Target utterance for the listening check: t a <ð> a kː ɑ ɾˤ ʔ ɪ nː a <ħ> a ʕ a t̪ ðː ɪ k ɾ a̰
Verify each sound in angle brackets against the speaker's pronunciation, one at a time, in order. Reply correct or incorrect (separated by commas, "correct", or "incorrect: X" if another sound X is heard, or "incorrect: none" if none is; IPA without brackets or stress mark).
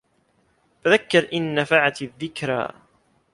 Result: correct, incorrect: f